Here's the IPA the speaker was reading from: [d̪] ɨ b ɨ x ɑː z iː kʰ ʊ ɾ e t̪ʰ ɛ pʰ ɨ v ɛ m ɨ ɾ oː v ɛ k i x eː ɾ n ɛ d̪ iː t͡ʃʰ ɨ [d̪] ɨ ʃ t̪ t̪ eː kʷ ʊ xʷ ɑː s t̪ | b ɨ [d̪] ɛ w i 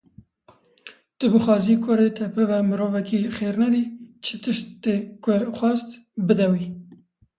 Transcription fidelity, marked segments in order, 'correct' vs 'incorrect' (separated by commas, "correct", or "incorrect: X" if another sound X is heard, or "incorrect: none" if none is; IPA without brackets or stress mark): incorrect: t̪, incorrect: t̪, correct